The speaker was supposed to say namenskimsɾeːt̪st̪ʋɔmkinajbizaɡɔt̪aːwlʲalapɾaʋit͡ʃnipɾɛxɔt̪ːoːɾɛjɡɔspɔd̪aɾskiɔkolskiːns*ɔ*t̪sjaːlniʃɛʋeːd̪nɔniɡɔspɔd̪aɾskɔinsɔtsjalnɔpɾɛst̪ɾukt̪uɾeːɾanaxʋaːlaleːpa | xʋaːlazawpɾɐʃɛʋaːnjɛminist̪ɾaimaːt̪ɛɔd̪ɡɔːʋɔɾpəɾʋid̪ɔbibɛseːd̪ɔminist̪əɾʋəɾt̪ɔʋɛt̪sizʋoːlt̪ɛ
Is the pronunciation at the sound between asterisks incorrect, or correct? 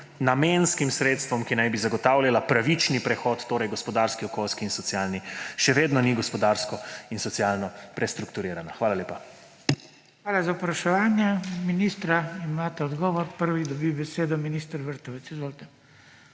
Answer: correct